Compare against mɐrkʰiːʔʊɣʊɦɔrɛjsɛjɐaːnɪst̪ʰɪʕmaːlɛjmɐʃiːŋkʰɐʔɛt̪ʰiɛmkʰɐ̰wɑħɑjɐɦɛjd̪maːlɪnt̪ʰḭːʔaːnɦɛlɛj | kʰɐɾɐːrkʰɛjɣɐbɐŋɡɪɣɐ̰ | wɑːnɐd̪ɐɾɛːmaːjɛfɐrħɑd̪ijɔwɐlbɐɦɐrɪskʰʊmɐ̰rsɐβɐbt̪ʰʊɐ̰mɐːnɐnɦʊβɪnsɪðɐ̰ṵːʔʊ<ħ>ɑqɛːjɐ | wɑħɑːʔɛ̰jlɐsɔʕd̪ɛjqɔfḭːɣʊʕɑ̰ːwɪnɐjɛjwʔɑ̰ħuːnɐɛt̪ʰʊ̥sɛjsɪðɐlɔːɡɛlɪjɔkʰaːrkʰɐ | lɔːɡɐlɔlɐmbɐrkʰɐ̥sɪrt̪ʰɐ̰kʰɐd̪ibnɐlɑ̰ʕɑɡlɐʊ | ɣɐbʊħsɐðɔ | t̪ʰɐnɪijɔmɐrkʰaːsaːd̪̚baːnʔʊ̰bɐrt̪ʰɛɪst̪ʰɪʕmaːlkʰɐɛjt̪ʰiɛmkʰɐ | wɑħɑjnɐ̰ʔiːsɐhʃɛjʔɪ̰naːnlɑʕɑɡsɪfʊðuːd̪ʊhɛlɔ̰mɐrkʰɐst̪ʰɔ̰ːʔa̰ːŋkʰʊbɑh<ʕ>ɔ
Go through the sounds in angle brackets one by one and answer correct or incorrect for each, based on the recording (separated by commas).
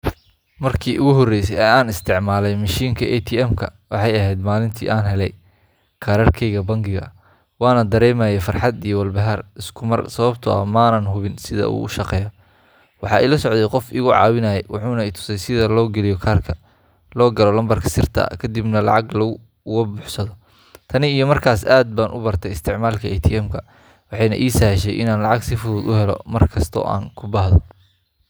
incorrect, incorrect